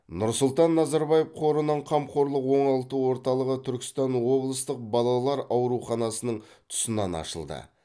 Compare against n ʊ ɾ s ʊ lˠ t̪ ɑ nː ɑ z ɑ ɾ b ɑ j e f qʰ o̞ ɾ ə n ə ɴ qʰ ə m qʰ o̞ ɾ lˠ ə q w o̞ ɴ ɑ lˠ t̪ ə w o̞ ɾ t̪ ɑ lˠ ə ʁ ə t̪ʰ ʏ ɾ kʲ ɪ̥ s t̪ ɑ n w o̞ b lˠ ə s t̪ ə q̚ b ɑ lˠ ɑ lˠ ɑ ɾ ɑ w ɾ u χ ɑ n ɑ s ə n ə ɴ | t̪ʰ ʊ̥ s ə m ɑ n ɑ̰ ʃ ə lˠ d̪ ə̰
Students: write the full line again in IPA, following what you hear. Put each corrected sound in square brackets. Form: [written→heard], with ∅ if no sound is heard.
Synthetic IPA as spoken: n ʊ ɾ s ʊ lˠ t̪ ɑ nː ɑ z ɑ ɾ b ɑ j e f qʰ o̞ ɾ ə n ə ɴ qʰ [ə→ɑ] m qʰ o̞ ɾ lˠ ə q w o̞ ɴ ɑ lˠ t̪ ə w o̞ ɾ t̪ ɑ lˠ ə ʁ ə t̪ʰ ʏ ɾ kʲ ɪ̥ s t̪ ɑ n w o̞ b lˠ ə s t̪ ə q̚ b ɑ lˠ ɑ lˠ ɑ ɾ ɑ w ɾ u χ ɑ n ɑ s ə n ə ɴ | t̪ʰ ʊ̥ s ə [m→n] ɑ n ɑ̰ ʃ ə lˠ d̪ ə̰